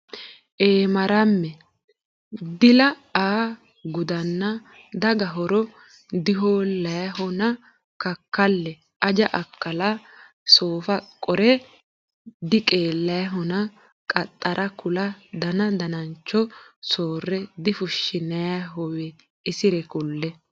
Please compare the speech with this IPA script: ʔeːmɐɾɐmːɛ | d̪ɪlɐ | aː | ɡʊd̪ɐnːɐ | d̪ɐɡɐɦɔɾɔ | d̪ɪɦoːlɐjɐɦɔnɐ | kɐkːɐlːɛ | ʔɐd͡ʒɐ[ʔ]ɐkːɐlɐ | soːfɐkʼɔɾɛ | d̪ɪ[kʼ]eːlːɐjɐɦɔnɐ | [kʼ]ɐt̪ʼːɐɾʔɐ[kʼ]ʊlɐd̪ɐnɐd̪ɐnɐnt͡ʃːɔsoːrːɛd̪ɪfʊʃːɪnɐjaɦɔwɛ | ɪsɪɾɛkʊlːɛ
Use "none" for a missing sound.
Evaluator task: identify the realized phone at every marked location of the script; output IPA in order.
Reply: ʔ, kʼ, kʼ, k

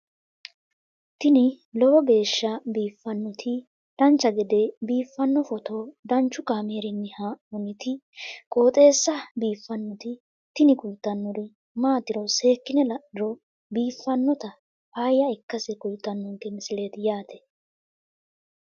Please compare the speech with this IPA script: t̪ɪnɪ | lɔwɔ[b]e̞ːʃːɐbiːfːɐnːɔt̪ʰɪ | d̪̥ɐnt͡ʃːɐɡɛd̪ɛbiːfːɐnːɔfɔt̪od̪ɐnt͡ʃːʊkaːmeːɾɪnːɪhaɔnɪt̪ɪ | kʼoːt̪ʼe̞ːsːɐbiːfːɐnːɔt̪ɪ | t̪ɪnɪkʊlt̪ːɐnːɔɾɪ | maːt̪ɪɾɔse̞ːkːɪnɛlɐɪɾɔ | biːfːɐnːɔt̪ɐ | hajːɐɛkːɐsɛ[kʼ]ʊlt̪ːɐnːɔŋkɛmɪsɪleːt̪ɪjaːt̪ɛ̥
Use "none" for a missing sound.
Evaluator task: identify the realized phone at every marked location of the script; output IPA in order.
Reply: b, k

